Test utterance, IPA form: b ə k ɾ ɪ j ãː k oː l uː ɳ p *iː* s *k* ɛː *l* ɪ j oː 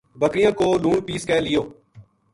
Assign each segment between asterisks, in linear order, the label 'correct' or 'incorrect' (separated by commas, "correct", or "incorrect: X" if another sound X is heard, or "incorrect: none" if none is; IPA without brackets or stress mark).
correct, correct, correct